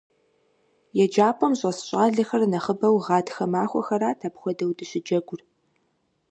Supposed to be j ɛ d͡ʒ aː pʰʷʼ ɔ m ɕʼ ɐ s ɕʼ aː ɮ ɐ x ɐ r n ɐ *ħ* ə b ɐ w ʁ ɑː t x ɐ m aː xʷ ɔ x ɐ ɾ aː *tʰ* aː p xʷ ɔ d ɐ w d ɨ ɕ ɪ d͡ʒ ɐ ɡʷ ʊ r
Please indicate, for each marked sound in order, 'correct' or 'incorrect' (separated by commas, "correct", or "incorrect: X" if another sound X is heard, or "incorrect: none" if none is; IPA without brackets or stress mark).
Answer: incorrect: χ, correct